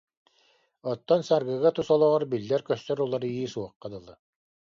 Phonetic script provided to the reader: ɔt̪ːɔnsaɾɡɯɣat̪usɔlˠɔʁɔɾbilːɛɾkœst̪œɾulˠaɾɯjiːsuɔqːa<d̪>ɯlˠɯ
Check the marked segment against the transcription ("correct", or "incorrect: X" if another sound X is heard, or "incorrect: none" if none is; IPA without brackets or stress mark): correct